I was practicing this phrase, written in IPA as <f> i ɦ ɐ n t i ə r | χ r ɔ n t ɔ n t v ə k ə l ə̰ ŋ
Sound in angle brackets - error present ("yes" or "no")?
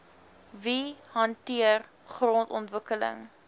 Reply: yes